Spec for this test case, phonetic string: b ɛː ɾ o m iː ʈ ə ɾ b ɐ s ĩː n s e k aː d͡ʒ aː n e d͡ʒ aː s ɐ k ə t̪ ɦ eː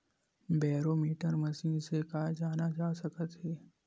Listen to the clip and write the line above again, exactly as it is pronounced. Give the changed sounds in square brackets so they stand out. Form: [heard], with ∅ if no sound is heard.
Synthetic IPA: b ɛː ɾ o m iː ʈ ə ɾ [m] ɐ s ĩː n s e k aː d͡ʒ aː n [a] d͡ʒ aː s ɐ k ə t̪ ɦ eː